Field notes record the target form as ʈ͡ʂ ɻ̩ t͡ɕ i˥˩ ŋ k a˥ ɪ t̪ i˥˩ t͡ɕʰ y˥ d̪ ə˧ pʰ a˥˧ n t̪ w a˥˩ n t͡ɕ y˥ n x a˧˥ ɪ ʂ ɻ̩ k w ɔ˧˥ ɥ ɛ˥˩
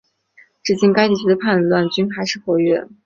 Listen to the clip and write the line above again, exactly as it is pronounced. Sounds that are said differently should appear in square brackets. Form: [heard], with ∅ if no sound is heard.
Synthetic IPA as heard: ʈ͡ʂ ɻ̩ t͡ɕ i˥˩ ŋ k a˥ ɪ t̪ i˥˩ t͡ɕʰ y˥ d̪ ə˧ pʰ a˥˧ n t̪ w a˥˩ n t͡ɕ y˥ n x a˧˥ ɪ ʂ ɻ̩ [x] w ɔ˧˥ ɥ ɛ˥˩